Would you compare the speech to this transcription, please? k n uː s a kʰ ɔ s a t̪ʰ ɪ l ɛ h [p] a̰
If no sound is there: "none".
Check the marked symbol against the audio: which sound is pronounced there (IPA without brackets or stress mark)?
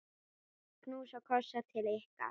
k